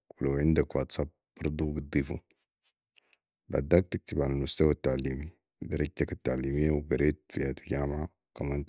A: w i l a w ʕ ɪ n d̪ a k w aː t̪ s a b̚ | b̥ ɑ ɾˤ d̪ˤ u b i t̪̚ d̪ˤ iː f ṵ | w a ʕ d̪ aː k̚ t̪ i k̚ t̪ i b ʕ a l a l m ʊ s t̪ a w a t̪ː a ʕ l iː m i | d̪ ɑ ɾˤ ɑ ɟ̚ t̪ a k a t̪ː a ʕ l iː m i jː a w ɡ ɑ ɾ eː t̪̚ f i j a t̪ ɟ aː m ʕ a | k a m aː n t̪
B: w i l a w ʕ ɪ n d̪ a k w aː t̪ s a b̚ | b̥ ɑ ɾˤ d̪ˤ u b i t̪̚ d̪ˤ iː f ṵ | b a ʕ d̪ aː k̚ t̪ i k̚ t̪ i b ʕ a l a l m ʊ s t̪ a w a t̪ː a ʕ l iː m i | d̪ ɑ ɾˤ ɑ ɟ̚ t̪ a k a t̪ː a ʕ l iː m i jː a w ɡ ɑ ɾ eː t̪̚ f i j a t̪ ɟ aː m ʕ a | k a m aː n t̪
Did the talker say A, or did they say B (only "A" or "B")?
B